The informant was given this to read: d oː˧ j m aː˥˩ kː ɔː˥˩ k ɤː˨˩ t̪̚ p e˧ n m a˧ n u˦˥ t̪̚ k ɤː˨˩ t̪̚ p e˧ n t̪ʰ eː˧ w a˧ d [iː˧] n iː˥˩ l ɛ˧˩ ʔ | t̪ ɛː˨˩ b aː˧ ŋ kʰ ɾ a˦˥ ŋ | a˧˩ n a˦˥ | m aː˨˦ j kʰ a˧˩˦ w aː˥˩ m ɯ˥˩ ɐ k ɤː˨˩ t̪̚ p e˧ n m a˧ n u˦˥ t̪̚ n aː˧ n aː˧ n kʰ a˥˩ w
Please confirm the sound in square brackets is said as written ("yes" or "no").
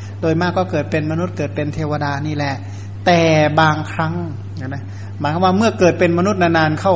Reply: no